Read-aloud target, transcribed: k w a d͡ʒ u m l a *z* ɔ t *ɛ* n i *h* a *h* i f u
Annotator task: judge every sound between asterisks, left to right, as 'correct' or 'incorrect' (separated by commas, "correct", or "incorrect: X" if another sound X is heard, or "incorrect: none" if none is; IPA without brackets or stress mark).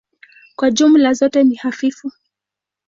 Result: correct, correct, correct, incorrect: f